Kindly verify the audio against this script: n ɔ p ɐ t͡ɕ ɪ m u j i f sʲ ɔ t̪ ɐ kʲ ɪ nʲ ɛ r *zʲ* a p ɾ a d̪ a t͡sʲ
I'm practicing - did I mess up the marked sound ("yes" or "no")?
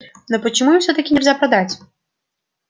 no